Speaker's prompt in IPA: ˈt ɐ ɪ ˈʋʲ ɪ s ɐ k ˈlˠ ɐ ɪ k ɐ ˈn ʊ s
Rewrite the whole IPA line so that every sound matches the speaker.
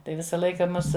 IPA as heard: ˈt ɐ ɪ ˈʋʲ ɪ s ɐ ˈlˠ ɐ ɪ k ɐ ˈm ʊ s